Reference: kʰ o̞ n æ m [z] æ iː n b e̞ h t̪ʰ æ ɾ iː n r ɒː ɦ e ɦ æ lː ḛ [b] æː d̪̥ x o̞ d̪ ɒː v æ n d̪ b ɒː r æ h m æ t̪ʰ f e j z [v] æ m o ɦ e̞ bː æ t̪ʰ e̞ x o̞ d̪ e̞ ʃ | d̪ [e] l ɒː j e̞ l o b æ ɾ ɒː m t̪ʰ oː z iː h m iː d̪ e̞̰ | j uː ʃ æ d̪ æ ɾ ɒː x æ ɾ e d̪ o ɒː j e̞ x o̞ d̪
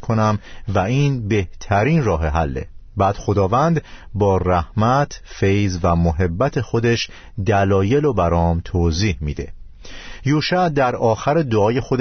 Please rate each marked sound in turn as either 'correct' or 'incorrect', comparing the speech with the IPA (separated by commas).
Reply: incorrect, correct, correct, incorrect